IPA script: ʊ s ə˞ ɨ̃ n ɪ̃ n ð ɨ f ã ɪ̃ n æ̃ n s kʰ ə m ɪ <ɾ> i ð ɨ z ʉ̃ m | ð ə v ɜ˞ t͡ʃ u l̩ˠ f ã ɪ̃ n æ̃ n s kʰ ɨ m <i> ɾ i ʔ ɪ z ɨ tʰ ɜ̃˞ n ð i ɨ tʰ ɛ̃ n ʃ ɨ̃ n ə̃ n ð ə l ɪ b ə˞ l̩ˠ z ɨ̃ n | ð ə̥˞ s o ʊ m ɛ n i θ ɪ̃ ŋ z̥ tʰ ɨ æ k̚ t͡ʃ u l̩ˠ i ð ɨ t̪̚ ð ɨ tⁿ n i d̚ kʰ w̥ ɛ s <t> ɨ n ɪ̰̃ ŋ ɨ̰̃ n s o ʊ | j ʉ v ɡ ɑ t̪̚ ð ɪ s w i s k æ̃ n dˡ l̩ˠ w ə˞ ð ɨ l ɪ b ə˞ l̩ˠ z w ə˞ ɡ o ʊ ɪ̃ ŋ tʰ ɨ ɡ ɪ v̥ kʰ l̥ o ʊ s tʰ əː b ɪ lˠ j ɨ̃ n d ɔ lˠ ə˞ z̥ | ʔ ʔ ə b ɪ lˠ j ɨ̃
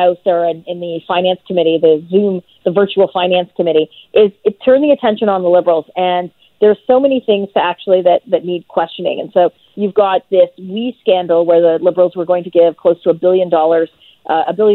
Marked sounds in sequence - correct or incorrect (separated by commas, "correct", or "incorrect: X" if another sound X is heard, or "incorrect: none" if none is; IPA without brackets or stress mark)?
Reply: correct, incorrect: ɪ, incorrect: t͡ʃ